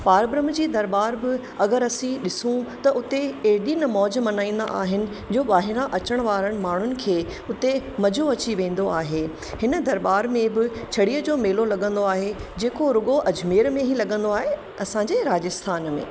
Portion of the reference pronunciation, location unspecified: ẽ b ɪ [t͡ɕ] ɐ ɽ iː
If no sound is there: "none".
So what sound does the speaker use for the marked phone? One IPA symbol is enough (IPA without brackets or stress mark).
t͡ɕʰ